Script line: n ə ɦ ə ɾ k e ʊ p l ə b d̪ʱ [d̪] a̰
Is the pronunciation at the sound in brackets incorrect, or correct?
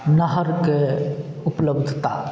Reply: incorrect